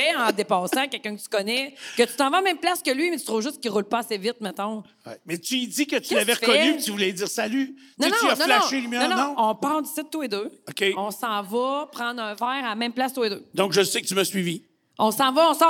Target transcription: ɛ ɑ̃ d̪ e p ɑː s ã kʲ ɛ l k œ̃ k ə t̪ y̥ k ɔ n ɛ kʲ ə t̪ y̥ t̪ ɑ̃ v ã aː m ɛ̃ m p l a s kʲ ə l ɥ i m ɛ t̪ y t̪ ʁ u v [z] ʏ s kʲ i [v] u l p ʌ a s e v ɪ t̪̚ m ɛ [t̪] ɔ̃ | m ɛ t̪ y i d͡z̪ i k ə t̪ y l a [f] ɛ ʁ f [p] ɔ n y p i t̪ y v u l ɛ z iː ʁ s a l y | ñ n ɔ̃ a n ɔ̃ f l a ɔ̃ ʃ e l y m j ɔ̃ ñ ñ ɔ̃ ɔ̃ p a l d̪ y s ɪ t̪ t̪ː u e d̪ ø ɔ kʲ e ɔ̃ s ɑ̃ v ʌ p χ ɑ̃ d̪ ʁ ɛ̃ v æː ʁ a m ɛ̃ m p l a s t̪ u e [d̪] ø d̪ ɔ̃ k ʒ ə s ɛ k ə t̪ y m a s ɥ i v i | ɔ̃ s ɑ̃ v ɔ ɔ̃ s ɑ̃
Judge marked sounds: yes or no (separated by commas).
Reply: no, no, yes, no, no, yes